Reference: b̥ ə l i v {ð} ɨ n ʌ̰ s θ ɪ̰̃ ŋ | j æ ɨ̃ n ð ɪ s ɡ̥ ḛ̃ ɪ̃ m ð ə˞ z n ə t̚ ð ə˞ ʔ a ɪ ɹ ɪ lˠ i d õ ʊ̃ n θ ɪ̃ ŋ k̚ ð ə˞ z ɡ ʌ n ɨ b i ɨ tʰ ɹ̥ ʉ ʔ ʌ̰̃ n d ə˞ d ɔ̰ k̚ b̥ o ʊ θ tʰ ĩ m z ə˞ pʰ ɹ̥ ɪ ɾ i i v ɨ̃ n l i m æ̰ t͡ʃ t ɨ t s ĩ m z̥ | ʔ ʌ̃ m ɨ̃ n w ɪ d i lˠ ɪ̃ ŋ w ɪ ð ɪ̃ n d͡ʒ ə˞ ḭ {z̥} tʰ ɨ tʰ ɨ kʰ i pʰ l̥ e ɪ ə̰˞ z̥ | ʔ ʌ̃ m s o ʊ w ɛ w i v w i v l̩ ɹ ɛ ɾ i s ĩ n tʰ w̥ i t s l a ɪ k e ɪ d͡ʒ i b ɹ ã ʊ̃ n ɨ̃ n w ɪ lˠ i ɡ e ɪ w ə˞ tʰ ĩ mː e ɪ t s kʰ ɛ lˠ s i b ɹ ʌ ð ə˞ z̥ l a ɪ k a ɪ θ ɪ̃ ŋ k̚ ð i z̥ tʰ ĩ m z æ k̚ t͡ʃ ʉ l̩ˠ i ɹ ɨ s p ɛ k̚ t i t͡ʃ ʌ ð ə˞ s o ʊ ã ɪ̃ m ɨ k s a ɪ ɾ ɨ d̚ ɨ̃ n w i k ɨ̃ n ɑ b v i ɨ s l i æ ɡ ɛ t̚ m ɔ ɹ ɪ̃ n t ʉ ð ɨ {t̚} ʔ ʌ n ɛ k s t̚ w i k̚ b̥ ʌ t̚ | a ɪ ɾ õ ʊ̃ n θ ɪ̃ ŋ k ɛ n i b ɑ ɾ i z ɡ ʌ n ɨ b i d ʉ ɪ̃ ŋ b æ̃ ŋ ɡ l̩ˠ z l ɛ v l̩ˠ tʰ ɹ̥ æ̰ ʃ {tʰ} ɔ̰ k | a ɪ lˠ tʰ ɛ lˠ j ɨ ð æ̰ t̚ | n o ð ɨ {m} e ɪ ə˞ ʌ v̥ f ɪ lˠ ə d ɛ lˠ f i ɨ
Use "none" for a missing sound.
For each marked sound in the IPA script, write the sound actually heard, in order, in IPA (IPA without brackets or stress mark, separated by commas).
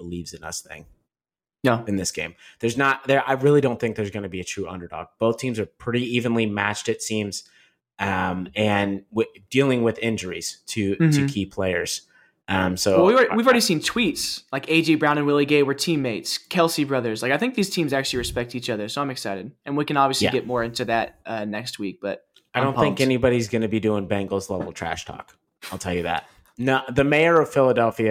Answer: z, z̥, t̚, tʰ, m